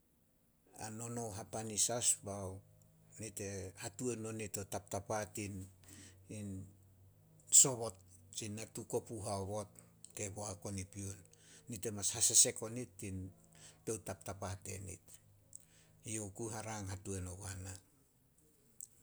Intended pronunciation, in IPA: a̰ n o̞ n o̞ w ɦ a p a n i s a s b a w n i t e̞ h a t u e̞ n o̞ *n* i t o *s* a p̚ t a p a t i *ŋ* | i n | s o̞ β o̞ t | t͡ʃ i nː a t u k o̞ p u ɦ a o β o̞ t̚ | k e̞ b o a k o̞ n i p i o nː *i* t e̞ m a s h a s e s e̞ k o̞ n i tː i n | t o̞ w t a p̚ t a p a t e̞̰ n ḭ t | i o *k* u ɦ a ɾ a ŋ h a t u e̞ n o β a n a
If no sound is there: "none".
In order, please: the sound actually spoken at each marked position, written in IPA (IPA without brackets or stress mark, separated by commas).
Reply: n, t, n, i, k